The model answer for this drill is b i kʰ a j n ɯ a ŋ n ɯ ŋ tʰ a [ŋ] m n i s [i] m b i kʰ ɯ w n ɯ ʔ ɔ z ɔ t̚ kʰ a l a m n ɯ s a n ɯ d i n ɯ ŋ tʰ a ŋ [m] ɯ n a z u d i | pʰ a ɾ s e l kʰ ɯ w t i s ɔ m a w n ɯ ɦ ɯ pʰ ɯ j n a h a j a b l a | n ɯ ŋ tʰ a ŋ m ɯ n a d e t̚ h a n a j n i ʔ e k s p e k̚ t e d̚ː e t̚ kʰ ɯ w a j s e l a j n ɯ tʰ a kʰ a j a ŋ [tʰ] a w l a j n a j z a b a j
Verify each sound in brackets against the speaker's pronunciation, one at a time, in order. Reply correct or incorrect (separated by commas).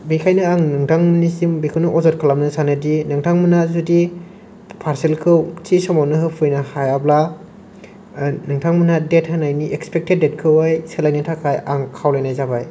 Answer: correct, correct, correct, incorrect